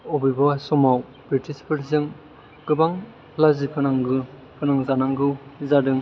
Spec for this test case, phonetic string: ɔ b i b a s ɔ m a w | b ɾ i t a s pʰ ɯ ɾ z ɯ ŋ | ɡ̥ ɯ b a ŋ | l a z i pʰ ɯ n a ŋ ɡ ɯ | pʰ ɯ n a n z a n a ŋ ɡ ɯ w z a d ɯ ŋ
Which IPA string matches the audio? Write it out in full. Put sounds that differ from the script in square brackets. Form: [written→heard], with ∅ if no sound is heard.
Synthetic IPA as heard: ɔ b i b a s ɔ m a w | b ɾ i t [a→i] s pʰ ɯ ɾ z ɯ ŋ | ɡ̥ ɯ b a ŋ | l a z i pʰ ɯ n a ŋ ɡ ɯ | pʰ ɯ n a [n→ŋ] z a n a ŋ ɡ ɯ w z a d ɯ ŋ

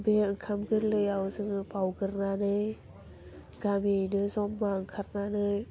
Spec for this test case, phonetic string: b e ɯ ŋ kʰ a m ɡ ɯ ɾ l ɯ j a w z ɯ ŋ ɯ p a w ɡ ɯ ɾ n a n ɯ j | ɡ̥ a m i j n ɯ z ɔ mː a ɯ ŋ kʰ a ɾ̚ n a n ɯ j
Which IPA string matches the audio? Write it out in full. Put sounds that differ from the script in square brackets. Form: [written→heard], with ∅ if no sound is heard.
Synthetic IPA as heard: b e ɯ ŋ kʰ a m ɡ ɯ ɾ l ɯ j a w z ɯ ŋ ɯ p a w ɡ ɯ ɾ n a n ɯ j | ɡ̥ a m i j n ɯ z ɔ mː a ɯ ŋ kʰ a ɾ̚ n a n ɯ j

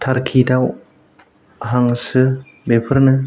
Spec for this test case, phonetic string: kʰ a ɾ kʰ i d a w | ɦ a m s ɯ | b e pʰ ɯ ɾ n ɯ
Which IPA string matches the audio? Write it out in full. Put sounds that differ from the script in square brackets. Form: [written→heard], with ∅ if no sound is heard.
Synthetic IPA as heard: [kʰ→tʰ] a ɾ kʰ i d a w | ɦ a [m→ŋ] s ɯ | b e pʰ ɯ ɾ n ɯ

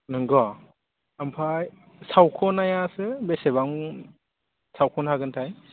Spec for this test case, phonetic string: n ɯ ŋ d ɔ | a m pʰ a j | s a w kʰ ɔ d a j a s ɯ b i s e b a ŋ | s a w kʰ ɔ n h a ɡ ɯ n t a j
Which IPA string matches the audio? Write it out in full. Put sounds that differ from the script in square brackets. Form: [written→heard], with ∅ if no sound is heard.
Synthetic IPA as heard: n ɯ ŋ [d→ɡ] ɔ | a m pʰ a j | s a w kʰ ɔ [d→n] a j a s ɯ b [i→e] s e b a ŋ | s a w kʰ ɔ n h a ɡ ɯ n [t→tʰ] a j

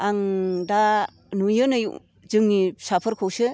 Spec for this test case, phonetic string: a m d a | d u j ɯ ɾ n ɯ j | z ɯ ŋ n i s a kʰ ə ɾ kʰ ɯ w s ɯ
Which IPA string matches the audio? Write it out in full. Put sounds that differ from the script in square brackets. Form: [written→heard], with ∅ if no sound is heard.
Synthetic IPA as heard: a [m→ŋ] d a | [d→n] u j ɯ [ɾ→∅] n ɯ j | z ɯ ŋ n i s a [kʰ→pʰ] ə ɾ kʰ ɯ w s ɯ

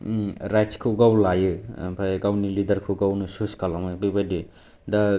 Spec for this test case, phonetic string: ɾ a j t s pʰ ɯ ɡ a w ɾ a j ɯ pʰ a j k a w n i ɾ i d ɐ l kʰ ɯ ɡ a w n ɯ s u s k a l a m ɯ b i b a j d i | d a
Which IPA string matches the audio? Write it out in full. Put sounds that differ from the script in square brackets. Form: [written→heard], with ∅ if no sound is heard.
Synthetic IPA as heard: ɾ a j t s [pʰ→kʰ] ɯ ɡ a w [ɾ→l] a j ɯ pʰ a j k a w n i [ɾ→l] i d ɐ [l→ɾ] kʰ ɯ ɡ a w n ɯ s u s k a l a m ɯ b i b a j d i | d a

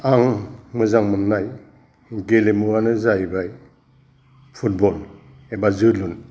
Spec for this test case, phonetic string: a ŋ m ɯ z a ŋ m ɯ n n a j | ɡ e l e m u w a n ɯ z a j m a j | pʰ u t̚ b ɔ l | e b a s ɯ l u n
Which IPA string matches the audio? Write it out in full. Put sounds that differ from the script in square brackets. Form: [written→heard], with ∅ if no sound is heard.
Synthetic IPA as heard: a ŋ m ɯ z a ŋ m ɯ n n a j | ɡ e l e m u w a n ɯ z a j [m→b] a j | pʰ u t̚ b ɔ l | e b a [s→z] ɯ l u n

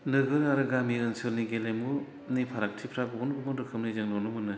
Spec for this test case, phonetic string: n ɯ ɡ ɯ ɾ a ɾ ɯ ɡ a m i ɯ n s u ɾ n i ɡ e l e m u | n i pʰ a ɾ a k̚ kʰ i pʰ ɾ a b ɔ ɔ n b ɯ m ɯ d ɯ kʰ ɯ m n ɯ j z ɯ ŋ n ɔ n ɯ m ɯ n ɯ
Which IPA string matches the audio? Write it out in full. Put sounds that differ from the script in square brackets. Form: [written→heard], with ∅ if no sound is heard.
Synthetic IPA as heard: n ɯ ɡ ɯ ɾ a ɾ ɯ ɡ a m i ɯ n s [u→ɯ] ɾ n i ɡ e l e m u | n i pʰ a ɾ a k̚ [kʰ→tʰ] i pʰ ɾ a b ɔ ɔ n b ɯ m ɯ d ɯ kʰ ɯ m n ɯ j z ɯ ŋ n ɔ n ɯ m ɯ n ɯ

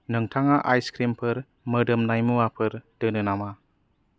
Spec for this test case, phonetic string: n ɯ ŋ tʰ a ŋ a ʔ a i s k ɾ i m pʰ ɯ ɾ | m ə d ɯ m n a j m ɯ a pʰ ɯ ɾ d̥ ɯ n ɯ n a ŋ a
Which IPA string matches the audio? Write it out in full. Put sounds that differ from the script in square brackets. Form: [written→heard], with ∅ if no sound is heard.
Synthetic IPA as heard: n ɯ ŋ tʰ a ŋ a ʔ a [i→j] s k ɾ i m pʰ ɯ ɾ | m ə d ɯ m n a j m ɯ a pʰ ɯ ɾ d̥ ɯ n ɯ n a [ŋ→m] a

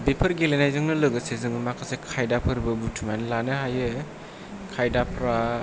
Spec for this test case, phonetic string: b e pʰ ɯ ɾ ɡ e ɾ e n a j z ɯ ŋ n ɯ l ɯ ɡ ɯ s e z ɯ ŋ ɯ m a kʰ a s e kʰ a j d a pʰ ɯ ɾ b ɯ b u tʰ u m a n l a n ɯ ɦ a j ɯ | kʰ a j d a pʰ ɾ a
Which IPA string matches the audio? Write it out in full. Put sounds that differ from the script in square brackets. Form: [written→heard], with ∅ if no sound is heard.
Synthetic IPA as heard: b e pʰ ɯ ɾ ɡ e [ɾ→l] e n a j z ɯ ŋ n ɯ l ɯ ɡ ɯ s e z ɯ ŋ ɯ m a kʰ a s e kʰ a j d a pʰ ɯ ɾ b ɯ b u tʰ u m a n l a n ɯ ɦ a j ɯ | kʰ a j d a pʰ ɾ a

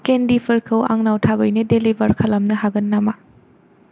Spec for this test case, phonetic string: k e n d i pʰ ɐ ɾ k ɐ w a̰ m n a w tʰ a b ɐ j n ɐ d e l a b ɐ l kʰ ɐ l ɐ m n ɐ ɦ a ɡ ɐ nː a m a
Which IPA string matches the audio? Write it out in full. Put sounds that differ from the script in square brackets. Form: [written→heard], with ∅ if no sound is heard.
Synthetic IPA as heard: k e n d i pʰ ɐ ɾ [k→kʰ] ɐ w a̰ [m→ŋ] n a w tʰ a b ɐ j n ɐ d e l [a→i] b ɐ [l→ɾ] kʰ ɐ l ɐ m n ɐ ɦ a ɡ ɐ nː a m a

